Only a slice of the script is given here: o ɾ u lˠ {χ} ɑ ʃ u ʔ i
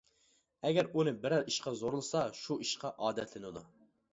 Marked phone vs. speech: incorrect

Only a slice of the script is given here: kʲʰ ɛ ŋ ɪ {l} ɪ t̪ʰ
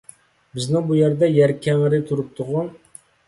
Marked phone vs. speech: incorrect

